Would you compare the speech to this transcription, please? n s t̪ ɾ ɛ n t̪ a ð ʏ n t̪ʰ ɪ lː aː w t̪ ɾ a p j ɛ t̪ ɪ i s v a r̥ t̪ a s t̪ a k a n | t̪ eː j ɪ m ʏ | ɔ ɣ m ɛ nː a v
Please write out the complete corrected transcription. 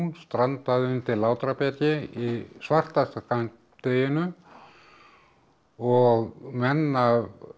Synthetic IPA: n s t̪ ɾ a n t̪ a ð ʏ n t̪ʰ ɪ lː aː w t̪ ɾ a p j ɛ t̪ ɪ i s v a r̥ t̪ a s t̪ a k a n | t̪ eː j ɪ n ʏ | ɔ ɣ m ɛ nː a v